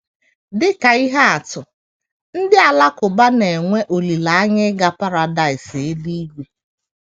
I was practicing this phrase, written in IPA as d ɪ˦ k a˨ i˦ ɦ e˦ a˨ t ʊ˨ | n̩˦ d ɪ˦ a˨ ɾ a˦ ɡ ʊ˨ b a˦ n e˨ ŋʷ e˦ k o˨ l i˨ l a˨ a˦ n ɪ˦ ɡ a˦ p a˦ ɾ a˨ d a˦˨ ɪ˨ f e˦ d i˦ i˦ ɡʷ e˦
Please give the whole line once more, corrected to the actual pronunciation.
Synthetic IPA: d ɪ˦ k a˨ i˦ ɦ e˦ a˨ t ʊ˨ | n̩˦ d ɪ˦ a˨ l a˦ k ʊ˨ b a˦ n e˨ ŋʷ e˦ ʔ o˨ l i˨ l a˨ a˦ ɲ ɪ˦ ɡ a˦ p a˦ ɾ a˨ d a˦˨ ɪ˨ s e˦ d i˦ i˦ ɡʷ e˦